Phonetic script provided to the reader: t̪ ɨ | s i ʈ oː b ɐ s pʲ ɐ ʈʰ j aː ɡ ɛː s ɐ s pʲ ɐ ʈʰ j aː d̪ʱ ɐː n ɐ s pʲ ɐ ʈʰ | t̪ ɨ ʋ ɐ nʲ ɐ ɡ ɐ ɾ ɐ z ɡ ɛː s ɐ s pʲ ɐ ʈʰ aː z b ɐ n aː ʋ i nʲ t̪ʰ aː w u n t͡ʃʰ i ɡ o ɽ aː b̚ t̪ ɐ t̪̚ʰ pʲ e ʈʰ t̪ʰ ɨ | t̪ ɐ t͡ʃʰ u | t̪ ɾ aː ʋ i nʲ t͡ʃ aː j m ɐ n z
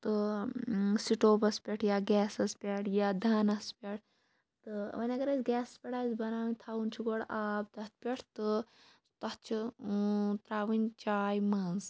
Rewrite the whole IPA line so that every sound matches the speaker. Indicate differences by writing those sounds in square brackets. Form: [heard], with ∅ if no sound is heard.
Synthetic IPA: t̪ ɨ | s i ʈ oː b ɐ s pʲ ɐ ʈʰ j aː ɡ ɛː s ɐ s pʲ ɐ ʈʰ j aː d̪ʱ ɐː n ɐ s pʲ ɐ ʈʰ | t̪ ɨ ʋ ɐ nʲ ɐ ɡ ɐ ɾ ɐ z ɡ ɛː s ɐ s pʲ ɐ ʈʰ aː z b ɐ n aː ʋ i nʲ t̪ʰ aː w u n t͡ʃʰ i ɡ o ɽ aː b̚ t̪ ɐ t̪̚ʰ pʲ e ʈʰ [t̪] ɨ | t̪ ɐ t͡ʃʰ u | t̪ ɾ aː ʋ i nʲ t͡ʃ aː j m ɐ n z